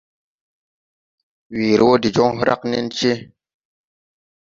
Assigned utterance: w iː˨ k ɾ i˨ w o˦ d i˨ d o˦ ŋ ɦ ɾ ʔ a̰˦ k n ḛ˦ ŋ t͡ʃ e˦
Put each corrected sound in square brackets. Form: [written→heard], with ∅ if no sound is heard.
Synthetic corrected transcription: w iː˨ [k→∅] ɾ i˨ w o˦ d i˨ [d→d͡ʒ] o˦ ŋ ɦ ɾ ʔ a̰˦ k n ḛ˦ [ŋ→n] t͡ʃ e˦

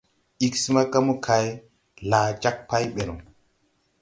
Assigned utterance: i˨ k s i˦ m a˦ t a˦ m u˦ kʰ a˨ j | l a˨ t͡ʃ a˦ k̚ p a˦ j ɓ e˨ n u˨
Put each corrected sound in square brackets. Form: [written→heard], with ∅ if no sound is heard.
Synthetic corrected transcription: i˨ k s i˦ m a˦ [t→k] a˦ m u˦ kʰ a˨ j | l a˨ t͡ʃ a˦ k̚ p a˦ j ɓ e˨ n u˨

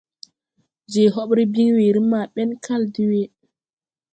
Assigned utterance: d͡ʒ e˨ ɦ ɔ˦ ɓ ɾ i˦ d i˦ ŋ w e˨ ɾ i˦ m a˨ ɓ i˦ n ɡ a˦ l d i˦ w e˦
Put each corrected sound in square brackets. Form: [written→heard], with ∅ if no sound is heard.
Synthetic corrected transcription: d͡ʒ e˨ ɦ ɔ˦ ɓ ɾ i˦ [d→b] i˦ ŋ w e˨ ɾ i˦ m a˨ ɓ [i˦→ɛ˦] n [ɡ→k] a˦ l d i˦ w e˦

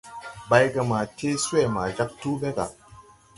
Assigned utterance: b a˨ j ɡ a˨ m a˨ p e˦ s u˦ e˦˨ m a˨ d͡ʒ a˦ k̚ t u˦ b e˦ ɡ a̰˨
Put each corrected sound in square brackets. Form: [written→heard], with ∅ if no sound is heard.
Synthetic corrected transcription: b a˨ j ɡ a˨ m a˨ [p→t] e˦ s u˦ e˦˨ m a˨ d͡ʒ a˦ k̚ t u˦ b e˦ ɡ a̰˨

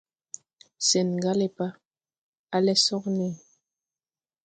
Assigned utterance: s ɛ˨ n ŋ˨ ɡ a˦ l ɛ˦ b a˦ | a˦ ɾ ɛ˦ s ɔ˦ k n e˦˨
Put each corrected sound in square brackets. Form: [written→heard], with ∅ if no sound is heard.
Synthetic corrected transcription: s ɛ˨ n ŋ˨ ɡ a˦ l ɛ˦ [b→p] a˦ | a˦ [ɾ→l] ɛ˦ s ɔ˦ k n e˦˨

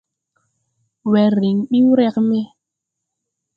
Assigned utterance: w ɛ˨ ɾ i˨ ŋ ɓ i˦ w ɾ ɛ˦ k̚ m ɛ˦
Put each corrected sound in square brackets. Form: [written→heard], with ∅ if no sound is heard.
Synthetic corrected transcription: w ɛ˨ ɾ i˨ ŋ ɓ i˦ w ɾ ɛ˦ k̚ m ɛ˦

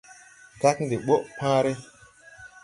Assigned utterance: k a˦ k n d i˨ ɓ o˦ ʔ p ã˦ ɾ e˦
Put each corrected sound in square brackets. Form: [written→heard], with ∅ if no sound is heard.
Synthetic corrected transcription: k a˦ k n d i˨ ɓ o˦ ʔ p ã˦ ɾ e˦

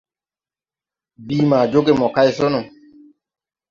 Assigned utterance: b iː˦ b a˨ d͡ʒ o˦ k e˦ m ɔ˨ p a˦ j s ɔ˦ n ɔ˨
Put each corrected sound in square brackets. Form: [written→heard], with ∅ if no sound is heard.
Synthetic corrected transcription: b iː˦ [b→m] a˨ d͡ʒ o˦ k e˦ m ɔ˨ [p→k] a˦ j s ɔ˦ n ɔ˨

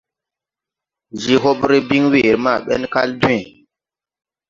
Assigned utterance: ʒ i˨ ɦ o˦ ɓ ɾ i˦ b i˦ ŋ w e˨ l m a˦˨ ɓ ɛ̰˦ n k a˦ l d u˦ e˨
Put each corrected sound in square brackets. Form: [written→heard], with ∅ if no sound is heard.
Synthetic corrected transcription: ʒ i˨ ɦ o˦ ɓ ɾ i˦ b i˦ ŋ w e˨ [l→ɾ] m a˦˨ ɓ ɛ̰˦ n k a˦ l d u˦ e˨

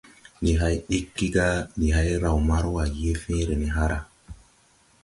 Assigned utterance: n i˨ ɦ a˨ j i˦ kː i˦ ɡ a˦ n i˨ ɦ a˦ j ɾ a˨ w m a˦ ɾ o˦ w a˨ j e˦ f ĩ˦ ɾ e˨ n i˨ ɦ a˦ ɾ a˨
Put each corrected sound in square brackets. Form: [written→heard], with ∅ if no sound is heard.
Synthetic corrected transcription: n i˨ ɦ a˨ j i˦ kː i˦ ɡ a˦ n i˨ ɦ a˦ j ɾ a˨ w m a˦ ɾ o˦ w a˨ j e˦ f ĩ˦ ɾ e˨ n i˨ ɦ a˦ ɾ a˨

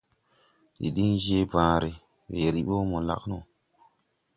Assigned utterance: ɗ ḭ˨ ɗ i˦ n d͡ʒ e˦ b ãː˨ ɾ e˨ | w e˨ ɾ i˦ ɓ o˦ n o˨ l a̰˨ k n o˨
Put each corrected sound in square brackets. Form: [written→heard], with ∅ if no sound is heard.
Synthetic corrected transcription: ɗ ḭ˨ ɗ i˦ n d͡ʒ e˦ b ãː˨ ɾ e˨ | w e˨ ɾ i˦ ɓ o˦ [n→m] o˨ l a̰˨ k n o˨

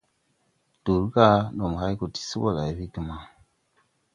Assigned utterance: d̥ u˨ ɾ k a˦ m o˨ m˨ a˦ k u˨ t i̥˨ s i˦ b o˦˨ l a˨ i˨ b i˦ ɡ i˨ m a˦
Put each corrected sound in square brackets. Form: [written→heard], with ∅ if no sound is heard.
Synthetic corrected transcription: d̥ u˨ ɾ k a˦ [m→n] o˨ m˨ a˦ k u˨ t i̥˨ s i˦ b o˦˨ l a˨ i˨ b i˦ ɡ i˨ m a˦

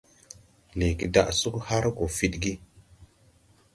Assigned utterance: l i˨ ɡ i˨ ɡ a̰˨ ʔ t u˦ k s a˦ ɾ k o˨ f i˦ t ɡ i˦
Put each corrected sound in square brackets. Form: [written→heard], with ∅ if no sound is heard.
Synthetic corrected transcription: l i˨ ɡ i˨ [ɡ→d] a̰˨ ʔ [t→s] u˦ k [s→h] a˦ ɾ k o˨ f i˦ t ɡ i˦

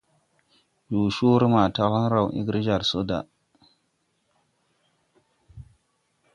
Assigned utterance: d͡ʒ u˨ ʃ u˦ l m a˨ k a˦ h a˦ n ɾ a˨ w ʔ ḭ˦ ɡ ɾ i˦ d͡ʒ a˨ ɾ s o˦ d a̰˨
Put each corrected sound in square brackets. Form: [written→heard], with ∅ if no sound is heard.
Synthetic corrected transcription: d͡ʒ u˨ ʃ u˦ [l→ɾ] m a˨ [k→t] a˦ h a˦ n ɾ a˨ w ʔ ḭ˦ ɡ ɾ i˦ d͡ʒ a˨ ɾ s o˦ d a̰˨

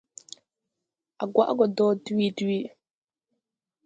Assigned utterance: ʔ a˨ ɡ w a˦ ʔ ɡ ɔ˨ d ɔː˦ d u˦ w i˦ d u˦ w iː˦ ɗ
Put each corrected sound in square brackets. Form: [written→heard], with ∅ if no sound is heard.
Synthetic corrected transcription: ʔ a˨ ɡ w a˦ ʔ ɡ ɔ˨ d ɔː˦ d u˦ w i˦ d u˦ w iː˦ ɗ

